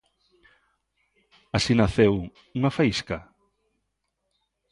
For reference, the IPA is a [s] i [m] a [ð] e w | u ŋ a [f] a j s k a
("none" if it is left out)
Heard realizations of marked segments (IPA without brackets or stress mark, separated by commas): s, n, θ, f